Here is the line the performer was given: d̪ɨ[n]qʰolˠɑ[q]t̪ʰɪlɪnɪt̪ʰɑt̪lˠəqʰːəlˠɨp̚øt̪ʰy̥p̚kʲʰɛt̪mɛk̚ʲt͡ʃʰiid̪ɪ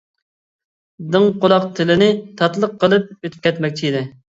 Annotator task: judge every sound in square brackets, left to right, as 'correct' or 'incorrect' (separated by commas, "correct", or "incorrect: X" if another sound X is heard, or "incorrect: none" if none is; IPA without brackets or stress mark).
incorrect: ŋ, correct